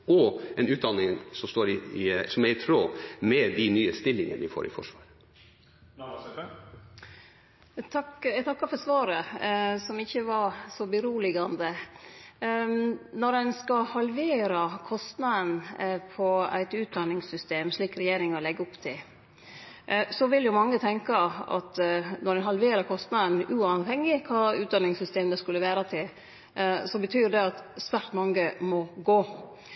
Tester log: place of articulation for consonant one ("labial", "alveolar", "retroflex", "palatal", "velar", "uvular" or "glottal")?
alveolar